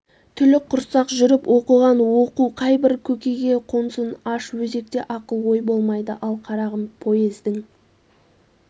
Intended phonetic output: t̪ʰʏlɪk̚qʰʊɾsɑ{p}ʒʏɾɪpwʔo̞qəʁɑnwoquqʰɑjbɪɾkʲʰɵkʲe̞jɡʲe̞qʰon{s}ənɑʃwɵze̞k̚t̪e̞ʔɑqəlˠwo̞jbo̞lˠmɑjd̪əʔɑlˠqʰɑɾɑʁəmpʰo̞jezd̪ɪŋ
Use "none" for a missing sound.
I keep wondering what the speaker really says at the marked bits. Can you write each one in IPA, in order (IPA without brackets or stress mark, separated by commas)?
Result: q, s